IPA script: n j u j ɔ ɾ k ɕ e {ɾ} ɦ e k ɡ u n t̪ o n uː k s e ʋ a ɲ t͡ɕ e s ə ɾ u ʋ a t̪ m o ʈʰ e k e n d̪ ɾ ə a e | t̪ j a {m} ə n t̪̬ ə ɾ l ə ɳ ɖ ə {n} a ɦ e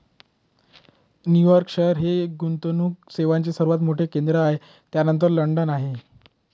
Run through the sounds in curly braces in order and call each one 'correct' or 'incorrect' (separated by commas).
correct, incorrect, correct